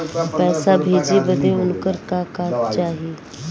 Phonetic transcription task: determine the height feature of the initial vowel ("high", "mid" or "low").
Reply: mid